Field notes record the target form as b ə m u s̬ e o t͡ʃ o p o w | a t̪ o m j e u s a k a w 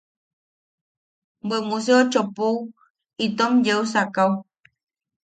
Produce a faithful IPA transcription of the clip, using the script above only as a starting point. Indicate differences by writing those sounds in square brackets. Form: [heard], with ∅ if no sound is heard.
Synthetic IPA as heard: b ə m u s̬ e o t͡ʃ o p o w | [i] t̪ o m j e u s a k a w